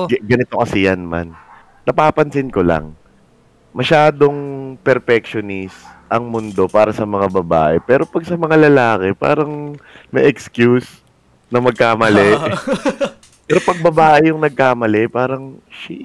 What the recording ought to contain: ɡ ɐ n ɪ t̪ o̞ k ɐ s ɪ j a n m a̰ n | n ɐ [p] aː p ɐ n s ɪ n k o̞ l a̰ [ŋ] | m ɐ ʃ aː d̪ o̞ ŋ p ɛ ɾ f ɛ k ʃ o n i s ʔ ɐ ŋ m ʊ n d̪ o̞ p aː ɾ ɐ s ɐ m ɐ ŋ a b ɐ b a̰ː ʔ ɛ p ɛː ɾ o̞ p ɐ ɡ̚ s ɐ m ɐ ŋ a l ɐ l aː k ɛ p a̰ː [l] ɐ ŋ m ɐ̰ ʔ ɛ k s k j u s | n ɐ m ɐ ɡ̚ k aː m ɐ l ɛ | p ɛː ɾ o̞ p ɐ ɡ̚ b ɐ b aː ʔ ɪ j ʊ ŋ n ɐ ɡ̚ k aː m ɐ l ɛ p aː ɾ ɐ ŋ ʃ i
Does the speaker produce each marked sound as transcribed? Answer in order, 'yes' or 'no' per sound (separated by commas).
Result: yes, yes, no